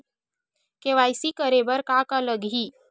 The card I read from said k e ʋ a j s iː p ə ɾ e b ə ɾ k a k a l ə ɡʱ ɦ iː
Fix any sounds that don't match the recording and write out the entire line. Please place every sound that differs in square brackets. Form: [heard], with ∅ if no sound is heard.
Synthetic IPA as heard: k e ʋ a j s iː [k] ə ɾ e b ə ɾ k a k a l ə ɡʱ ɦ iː